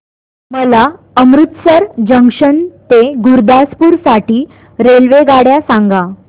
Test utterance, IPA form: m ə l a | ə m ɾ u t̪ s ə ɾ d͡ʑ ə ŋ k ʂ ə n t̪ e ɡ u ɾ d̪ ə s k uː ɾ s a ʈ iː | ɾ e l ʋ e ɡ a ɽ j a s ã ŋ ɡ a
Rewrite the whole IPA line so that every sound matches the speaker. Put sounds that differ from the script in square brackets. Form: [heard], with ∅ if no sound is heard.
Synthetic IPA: m ə l a | ə m ɾ u t̪ s ə ɾ d͡ʑ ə ŋ k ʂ ə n t̪ e ɡ u ɾ d̪ [a] s [p] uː ɾ s a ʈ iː | ɾ e l ʋ e ɡ a ɽ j a s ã ŋ ɡ a